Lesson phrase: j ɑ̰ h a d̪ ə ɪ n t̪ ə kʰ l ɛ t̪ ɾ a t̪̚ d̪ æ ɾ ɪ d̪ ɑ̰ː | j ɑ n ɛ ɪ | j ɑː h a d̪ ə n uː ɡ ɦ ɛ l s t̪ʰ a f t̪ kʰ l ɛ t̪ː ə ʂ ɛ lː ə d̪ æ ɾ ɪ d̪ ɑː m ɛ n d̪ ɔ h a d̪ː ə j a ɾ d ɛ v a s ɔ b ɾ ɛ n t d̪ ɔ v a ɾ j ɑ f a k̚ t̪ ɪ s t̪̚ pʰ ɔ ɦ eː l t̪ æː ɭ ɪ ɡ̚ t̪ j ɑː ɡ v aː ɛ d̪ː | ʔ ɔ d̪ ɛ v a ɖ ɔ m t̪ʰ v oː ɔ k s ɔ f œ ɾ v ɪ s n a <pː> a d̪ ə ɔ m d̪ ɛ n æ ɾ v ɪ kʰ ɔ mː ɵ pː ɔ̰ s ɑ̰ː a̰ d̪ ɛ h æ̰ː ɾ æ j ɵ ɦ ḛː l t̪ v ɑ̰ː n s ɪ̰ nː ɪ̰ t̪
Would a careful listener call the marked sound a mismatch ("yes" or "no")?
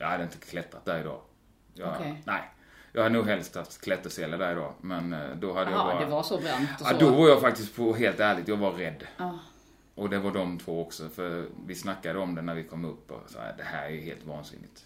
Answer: yes